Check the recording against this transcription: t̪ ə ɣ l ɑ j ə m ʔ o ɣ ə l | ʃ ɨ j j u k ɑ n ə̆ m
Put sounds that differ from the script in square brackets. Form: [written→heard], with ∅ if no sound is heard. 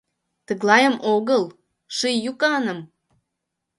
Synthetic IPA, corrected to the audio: t̪ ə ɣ l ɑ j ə m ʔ o ɣ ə l | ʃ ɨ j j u k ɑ n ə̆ m